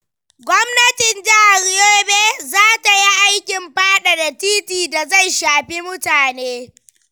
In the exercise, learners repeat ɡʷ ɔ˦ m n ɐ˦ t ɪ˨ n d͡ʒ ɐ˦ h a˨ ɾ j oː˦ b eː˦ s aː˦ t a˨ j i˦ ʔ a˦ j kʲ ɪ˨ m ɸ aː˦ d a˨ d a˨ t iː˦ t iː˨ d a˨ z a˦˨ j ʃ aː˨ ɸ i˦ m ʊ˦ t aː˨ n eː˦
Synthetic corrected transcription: ɡʷ ɔ˦ m n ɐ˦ t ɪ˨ n d͡ʒ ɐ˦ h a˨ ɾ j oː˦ b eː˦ z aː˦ t a˨ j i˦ ʔ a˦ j kʲ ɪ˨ m ɸ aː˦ ɗ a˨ d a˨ t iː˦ t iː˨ d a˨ z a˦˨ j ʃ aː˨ ɸ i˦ m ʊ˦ t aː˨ n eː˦